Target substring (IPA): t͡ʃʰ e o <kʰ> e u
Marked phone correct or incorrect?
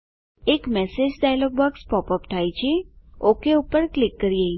incorrect